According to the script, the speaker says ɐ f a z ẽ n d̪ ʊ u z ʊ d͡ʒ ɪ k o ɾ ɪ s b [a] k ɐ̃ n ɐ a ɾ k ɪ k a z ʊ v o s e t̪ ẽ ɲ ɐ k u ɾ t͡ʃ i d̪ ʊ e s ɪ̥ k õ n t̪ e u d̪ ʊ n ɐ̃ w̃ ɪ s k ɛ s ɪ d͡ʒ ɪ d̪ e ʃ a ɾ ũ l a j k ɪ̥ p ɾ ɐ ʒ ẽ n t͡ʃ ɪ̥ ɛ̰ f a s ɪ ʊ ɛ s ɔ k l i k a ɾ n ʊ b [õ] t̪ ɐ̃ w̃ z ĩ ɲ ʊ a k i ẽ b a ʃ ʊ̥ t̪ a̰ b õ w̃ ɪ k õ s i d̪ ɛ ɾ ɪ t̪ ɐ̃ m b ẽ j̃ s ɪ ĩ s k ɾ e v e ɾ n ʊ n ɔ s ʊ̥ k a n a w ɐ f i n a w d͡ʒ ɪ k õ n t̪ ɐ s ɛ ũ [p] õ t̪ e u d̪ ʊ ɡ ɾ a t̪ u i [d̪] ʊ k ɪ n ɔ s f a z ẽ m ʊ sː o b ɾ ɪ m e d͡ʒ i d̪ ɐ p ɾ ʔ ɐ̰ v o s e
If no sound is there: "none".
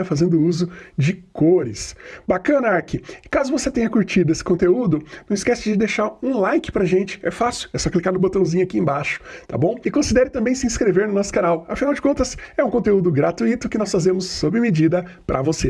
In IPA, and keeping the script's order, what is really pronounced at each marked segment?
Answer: a, o, k, t̪

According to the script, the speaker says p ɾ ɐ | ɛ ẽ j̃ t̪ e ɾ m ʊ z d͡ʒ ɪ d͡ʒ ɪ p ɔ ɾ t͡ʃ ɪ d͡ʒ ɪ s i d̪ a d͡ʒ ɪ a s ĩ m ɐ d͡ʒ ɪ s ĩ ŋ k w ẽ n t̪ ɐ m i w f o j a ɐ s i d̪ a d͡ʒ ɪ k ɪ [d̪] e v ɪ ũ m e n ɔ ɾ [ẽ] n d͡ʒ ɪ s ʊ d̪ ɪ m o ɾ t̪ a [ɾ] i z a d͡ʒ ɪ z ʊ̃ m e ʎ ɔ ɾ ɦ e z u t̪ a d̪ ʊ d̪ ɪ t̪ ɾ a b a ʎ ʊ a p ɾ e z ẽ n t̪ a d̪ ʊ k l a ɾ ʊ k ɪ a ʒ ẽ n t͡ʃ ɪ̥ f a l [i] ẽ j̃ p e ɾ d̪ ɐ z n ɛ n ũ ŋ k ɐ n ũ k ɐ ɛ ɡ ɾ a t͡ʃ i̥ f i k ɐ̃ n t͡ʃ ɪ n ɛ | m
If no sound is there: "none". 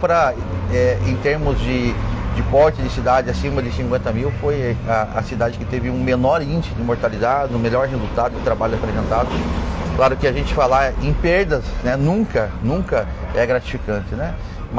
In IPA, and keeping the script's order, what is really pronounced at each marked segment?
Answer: t̪, ĩ, l, a

